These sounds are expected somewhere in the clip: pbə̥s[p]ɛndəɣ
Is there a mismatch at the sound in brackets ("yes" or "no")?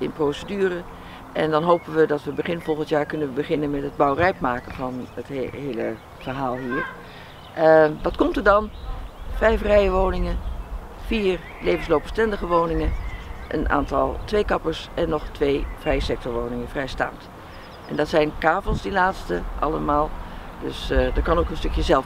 yes